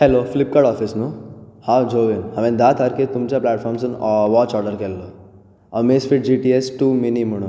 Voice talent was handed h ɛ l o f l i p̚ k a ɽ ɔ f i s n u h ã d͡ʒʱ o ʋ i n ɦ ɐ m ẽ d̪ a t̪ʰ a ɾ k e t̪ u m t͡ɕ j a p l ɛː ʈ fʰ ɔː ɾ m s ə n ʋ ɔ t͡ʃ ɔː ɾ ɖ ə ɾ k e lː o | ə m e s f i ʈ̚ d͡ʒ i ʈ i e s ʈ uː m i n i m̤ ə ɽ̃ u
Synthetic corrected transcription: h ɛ l o f l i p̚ k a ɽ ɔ f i s n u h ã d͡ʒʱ o ʋ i n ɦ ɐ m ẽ d̪ a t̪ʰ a ɾ k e t̪ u m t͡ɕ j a p l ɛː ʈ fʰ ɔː ɾ m s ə n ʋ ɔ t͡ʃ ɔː ɾ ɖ ə ɾ k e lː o | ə m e s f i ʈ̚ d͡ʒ i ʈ i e s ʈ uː m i n i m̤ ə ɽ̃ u